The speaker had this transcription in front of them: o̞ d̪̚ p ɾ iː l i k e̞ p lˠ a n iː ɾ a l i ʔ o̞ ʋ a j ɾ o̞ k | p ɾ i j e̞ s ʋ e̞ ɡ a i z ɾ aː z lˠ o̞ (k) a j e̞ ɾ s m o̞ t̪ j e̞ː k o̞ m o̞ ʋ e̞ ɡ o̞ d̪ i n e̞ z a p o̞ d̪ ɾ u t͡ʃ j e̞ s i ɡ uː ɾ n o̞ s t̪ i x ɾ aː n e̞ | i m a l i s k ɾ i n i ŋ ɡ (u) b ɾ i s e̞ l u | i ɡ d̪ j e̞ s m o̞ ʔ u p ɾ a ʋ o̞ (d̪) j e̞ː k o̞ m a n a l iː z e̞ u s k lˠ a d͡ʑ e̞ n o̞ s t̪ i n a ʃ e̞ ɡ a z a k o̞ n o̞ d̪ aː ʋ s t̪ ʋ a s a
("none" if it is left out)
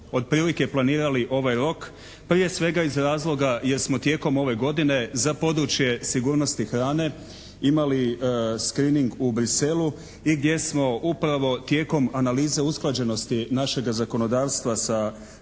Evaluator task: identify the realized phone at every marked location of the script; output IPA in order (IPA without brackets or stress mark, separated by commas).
ɡ, u, t̪